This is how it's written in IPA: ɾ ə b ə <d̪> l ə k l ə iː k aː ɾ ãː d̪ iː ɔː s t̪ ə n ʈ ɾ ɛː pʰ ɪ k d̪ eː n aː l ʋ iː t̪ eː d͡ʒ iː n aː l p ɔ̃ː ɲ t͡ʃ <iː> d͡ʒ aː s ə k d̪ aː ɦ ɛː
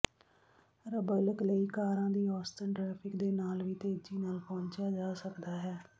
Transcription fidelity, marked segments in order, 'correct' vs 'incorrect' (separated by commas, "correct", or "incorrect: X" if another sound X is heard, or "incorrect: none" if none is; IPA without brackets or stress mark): incorrect: none, incorrect: aː